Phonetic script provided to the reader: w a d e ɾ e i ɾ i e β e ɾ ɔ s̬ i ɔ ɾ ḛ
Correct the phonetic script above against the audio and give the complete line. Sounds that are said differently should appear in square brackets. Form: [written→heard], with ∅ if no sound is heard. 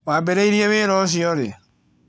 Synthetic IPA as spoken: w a [d→b] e ɾ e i ɾ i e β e ɾ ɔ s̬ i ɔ ɾ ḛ